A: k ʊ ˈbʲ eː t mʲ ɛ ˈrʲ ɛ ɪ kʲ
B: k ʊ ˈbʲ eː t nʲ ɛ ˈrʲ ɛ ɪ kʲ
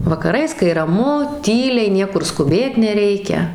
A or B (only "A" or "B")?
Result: B